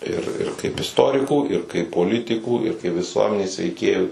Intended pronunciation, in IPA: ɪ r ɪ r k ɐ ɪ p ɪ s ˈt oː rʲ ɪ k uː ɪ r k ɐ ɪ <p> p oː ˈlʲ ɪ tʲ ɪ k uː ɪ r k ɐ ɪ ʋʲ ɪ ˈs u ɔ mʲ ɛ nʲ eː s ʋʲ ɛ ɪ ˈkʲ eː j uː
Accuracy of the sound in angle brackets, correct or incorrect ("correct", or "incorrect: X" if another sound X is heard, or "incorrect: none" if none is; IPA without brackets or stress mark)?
correct